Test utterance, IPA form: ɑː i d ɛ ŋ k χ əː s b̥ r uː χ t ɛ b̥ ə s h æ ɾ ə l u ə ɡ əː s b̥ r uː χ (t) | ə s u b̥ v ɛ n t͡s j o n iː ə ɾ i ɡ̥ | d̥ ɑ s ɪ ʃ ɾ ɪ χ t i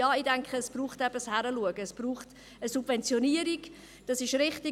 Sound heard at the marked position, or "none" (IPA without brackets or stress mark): t